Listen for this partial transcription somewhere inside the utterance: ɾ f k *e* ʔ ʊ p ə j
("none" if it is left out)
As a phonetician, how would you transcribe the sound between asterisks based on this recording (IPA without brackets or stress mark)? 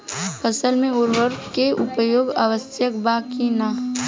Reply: e